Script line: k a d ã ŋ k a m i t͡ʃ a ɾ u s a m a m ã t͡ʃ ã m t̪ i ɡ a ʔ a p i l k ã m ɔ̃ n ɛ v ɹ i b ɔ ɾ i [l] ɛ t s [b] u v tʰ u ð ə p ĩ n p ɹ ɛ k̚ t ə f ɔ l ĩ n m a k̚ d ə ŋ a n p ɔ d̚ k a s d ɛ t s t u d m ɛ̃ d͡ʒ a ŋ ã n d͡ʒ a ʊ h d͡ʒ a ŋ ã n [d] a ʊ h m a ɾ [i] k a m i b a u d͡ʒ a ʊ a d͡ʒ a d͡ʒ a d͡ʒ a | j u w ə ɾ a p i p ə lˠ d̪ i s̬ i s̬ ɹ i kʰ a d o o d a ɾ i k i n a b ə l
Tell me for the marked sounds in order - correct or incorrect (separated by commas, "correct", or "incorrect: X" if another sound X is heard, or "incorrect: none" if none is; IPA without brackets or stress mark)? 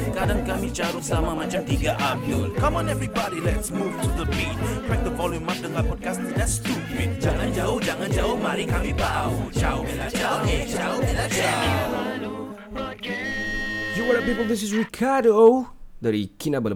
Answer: correct, incorrect: m, incorrect: d͡ʒ, correct